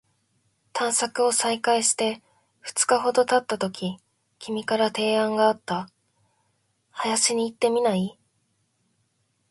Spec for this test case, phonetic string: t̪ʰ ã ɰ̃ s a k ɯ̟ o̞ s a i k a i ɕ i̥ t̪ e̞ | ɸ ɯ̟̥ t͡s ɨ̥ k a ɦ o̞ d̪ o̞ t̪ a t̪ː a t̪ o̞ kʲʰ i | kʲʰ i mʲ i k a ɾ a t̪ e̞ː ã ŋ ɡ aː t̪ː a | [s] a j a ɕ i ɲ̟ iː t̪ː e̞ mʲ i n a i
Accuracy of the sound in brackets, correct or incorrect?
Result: incorrect: h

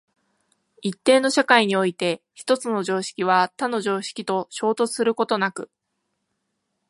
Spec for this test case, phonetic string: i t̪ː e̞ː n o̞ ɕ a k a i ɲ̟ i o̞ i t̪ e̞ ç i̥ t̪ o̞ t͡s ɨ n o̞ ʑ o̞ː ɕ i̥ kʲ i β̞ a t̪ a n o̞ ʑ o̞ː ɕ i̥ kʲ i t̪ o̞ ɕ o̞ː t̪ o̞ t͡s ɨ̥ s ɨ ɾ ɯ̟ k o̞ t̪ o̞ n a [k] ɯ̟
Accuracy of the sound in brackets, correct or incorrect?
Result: correct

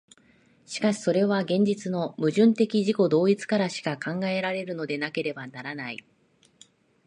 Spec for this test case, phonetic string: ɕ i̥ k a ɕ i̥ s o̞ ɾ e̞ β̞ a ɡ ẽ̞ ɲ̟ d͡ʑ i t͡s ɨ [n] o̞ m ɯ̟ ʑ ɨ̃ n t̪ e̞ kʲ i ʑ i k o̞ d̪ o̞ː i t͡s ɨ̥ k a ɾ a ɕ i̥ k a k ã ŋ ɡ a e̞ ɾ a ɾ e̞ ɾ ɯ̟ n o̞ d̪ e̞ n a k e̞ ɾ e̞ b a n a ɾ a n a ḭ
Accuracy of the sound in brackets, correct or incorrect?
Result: correct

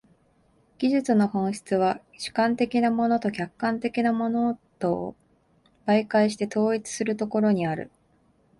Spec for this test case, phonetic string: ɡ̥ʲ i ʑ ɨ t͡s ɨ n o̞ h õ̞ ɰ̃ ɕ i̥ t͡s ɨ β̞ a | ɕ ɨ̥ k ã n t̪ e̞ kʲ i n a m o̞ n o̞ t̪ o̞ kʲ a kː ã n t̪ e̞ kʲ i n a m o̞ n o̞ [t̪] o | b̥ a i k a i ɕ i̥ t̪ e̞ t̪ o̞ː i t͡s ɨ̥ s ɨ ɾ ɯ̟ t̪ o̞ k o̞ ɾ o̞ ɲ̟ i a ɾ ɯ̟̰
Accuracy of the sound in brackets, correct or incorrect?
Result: correct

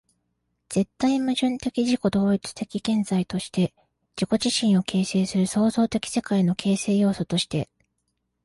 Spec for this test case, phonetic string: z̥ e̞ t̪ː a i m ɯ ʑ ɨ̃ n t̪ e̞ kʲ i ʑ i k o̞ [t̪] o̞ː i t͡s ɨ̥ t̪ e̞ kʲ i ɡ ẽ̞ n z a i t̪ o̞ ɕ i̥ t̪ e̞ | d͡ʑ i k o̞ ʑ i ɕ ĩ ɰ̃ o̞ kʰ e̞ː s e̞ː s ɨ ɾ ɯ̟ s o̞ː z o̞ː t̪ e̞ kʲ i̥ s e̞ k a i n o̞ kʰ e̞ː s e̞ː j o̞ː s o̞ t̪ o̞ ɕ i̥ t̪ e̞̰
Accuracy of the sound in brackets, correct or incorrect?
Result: incorrect: d̪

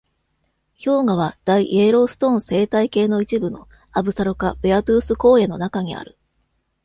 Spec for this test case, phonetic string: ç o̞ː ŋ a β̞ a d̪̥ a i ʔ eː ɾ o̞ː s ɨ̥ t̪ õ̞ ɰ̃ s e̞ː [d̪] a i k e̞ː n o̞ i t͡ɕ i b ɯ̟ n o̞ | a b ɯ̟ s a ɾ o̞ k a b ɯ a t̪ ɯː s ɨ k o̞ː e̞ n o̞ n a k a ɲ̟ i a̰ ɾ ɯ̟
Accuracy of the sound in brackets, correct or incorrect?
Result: incorrect: t̪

